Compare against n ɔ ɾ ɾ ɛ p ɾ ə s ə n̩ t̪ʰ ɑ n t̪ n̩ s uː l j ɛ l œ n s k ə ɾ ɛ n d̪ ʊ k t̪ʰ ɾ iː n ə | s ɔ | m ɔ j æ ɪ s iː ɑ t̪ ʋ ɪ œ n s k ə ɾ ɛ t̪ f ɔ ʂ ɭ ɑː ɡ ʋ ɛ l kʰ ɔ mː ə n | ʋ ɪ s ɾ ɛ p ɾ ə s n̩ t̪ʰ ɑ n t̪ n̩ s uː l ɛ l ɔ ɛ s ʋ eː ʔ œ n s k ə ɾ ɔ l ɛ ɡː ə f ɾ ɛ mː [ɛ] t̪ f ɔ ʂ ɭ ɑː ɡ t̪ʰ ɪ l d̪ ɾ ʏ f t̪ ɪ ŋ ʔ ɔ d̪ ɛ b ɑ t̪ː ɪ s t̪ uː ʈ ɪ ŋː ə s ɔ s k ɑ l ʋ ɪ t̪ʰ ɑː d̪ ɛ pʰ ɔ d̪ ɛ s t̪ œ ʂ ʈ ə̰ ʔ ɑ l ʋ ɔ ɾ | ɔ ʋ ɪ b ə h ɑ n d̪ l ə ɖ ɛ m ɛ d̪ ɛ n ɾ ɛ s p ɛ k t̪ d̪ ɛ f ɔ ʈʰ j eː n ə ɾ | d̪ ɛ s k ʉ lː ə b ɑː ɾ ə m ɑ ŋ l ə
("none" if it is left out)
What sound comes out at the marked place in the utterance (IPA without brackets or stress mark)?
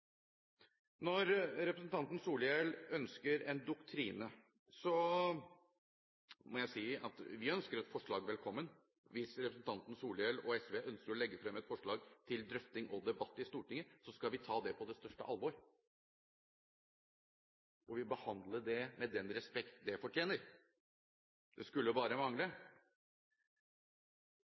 ɛ